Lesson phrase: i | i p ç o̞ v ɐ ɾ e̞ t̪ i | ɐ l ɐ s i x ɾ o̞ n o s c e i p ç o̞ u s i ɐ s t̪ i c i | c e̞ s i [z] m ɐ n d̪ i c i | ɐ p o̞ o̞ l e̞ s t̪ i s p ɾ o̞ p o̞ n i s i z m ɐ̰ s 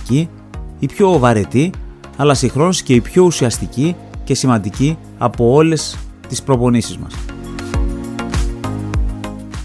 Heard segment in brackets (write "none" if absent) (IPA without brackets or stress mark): none